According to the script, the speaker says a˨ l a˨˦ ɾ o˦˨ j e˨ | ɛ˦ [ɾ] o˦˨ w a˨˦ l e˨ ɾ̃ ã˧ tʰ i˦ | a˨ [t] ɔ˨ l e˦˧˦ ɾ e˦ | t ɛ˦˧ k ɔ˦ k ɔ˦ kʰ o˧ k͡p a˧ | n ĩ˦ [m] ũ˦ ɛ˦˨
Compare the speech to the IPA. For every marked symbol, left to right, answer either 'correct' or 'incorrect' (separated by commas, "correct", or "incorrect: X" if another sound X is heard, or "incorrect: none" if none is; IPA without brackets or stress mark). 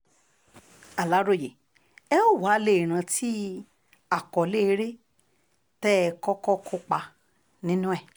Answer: incorrect: none, incorrect: k, incorrect: n